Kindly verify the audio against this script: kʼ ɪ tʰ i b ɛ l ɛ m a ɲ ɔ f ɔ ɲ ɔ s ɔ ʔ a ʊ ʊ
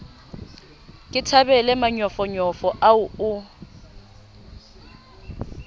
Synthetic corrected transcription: kʼ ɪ tʰ a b ɛ l ɛ m a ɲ ɔ f ɔ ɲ ɔ f ɔ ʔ a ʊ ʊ